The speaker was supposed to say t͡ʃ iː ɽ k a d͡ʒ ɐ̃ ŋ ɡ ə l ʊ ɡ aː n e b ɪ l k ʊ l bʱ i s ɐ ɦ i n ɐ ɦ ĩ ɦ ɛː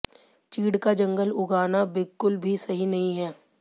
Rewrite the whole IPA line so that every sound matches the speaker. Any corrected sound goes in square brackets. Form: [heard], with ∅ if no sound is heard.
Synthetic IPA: t͡ʃ iː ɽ k a d͡ʒ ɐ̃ ŋ ɡ ə l ʊ ɡ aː n [a] b ɪ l k ʊ l bʱ i s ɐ ɦ i n ɐ ɦ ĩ ɦ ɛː